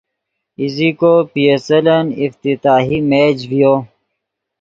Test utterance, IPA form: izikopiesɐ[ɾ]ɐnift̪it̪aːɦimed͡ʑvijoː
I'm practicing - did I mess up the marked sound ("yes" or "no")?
yes